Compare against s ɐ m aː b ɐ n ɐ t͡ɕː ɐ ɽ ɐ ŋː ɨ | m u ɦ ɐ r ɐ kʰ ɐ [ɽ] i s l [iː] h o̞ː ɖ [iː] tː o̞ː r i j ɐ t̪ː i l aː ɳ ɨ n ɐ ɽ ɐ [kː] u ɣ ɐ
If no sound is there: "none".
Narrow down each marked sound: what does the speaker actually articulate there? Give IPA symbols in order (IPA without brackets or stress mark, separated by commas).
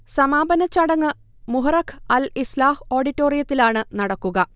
l, aː, i, kː